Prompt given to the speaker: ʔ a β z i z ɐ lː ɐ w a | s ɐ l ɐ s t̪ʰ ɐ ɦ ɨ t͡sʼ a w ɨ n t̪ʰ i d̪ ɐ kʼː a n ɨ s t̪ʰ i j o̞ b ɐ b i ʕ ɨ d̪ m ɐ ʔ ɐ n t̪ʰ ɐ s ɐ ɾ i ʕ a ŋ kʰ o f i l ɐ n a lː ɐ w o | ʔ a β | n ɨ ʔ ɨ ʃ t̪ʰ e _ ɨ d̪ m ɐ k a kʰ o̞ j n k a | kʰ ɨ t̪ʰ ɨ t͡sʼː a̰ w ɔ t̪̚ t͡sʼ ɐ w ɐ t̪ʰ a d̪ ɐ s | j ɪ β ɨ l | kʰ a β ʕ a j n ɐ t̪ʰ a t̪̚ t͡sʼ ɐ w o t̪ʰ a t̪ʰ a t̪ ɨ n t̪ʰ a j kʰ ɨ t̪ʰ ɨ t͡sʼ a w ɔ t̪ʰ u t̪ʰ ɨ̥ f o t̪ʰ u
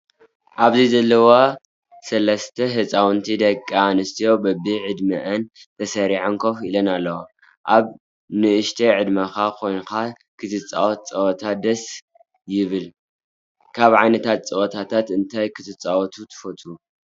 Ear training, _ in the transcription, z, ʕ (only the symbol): ʕ